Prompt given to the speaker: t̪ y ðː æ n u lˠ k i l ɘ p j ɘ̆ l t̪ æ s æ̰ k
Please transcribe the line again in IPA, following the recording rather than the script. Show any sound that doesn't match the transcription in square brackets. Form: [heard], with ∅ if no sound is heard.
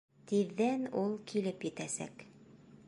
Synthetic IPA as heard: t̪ [i] ðː æ n u lˠ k i l ɘ p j ɘ̆ [∅] t̪ æ s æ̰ k